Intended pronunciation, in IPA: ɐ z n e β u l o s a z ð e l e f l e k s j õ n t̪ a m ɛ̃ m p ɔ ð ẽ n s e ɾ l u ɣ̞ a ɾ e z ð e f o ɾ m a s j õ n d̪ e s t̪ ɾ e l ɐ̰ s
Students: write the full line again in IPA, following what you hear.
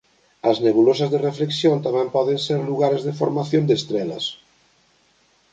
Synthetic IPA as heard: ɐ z n e β u l o s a z ð e r e f l e k s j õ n t̪ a m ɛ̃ m p ɔ ð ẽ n s e ɾ l u ɣ̞ a ɾ e z ð e f o ɾ m a θ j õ n d̪ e s t̪ ɾ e l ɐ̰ s

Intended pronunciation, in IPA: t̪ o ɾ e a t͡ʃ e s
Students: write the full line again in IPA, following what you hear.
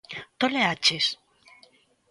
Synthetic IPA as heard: t̪ o l e a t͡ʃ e s

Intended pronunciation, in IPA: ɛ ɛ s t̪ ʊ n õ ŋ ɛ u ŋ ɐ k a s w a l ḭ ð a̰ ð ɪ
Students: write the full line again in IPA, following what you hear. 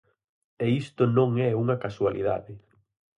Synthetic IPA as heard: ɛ i s t̪ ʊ n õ ŋ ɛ u ŋ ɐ k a s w a l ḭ ð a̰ ð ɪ

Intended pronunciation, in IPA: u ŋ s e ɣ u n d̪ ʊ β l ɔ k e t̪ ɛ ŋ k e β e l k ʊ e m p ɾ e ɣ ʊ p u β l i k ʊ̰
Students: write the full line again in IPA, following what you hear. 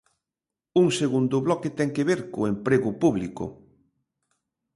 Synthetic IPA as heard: u ŋ s e ɣ u n d̪ ʊ β l ɔ k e t̪ ɛ ŋ k e β e ɾ k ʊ e m p ɾ e ɣ ʊ p u β l i k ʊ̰

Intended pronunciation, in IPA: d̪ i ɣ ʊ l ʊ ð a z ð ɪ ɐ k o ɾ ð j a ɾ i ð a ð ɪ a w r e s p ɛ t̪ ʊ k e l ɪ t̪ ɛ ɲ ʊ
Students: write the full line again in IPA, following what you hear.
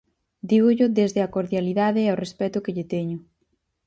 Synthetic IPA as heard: d̪ i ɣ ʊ ʎ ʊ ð e z ð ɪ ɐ k o ɾ ð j a l i ð a ð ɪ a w r e s p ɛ t̪ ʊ k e ʎ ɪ t̪ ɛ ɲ ʊ

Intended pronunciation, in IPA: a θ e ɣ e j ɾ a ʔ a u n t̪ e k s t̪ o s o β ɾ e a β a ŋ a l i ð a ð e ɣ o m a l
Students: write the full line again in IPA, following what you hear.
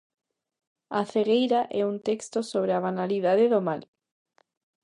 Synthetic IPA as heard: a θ e ɣ e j ɾ a ʔ ɛ u n t̪ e k s t̪ o s o β ɾ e a β a n a l i ð a ð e ð o m a l

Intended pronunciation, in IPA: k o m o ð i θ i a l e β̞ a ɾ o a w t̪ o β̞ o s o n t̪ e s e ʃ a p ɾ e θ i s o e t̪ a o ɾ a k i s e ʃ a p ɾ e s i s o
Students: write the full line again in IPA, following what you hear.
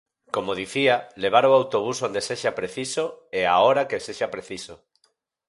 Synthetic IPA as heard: k o m o ð i θ i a l e β̞ a ɾ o a w t̪ o β̞ u s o n d̪ e s e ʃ a p ɾ e θ i s o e a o ɾ a k e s e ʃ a p ɾ e θ i s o

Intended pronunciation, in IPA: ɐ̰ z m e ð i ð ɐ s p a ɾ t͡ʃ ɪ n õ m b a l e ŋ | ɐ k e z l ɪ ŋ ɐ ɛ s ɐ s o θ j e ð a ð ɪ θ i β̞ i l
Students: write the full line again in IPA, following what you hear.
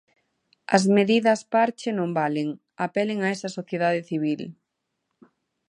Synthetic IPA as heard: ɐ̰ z m e ð i ð ɐ s p a ɾ t͡ʃ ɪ n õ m b a l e ŋ | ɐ p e l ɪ ŋ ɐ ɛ s ɐ s o θ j e ð a ð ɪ θ i β̞ i l

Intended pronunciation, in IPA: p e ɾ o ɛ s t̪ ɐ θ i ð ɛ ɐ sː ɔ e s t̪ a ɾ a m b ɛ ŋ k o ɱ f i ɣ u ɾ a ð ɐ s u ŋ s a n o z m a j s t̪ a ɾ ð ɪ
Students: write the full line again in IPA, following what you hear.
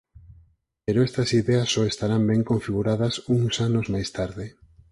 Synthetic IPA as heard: p e ɾ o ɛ s t̪ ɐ s i ð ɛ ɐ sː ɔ e s t̪ a ɾ a m b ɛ ŋ k o ɱ f i ɣ u ɾ a ð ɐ s u ŋ s a n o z m a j s t̪ a ɾ ð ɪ

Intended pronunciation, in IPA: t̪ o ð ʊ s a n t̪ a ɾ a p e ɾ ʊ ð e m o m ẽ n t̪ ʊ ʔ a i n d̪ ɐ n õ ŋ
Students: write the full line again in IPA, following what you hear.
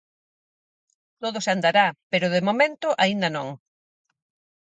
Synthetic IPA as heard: t̪ o ð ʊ s a n d̪ a ɾ a p e ɾ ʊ ð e m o m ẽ n t̪ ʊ ʔ a i n d̪ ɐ n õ ŋ

